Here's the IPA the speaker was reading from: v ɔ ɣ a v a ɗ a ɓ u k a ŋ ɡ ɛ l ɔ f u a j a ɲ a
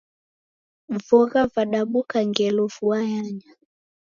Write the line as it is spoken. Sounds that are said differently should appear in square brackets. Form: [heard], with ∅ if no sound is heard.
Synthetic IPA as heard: v ɔ ɣ a v a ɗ a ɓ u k a ŋ ɡ ɛ l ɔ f u a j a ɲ a